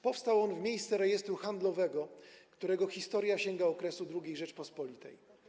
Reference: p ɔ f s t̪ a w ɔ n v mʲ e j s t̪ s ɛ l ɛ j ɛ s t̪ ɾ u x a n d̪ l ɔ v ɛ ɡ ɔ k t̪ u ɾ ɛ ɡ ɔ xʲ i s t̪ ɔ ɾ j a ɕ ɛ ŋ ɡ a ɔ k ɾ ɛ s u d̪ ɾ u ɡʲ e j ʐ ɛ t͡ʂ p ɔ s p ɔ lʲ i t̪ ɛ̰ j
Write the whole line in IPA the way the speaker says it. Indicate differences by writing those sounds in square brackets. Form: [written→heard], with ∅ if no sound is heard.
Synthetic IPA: p ɔ f s t̪ a w ɔ n v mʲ e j s t̪ s ɛ [l→ɾ] ɛ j ɛ s t̪ ɾ u x a n d̪ l ɔ v ɛ ɡ ɔ k t̪ u ɾ ɛ ɡ ɔ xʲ i s t̪ ɔ ɾ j a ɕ ɛ ŋ ɡ a ɔ k ɾ ɛ s u d̪ ɾ u ɡʲ e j ʐ ɛ t͡ʂ p ɔ s p ɔ lʲ i t̪ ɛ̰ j